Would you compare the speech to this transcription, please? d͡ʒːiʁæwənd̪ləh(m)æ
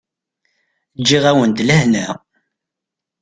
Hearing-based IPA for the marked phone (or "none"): n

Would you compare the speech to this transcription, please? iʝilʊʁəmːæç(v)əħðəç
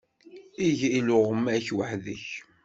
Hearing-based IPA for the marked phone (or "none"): w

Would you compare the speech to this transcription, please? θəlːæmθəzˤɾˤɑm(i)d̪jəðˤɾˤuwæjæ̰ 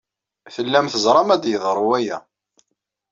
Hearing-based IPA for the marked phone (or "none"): æ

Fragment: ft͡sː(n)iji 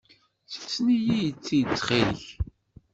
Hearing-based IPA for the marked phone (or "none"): n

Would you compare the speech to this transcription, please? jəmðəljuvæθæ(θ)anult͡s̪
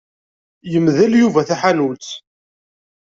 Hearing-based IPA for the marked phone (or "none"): ħ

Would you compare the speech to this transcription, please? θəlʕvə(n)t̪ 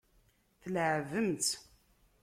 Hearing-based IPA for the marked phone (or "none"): m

